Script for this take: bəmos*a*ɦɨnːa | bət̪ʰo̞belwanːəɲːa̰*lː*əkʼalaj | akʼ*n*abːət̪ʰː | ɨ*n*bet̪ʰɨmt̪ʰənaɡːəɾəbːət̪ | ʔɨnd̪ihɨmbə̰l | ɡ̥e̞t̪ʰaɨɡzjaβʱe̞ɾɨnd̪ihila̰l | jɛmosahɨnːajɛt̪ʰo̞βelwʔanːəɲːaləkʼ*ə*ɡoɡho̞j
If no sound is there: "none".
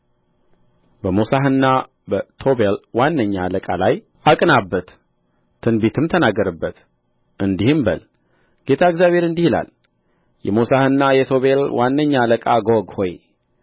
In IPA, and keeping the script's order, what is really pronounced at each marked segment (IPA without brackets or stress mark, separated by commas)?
a, l, n, n, a